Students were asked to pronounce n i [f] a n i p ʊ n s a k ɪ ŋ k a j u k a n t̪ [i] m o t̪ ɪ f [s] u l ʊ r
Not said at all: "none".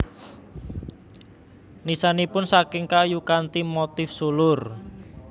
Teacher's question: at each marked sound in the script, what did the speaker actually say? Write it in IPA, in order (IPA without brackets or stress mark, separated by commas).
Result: s, i, s